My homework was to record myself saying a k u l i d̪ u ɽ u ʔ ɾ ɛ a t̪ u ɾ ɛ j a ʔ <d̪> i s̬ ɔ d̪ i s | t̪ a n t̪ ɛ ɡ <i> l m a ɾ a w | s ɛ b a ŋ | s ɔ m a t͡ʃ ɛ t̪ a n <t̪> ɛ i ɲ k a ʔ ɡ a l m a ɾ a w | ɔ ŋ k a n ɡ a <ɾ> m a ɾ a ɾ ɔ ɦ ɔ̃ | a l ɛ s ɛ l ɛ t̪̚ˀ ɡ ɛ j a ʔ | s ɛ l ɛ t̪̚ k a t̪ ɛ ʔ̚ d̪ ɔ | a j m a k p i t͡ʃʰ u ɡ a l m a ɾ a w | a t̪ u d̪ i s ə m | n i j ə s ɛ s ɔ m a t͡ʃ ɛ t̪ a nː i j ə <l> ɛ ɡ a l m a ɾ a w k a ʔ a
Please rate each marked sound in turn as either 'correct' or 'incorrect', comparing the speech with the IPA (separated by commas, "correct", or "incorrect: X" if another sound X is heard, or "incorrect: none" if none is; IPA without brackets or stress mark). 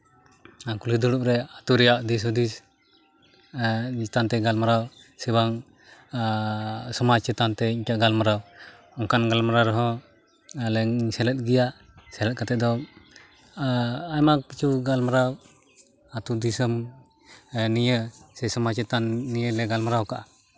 correct, incorrect: a, correct, incorrect: l, correct